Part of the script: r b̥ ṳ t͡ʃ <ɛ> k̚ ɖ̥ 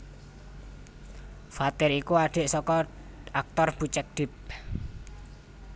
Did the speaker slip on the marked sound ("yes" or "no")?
no